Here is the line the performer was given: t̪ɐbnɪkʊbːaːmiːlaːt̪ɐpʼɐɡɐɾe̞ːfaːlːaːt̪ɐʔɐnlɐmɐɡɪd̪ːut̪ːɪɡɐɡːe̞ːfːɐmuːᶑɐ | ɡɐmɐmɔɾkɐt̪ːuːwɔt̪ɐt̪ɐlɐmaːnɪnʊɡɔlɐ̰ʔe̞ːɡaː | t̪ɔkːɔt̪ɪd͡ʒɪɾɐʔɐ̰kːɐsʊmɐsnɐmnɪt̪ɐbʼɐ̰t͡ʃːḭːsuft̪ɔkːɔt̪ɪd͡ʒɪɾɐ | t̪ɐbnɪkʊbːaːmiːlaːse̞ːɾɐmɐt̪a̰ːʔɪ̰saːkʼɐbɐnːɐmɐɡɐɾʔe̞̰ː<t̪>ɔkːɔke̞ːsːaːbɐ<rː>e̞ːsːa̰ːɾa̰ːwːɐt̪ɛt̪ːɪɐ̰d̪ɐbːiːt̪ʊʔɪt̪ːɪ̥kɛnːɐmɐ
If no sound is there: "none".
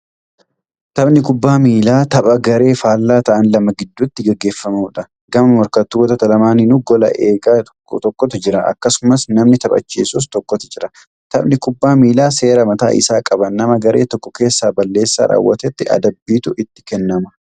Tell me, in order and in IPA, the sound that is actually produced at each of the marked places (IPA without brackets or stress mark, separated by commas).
t̪, lː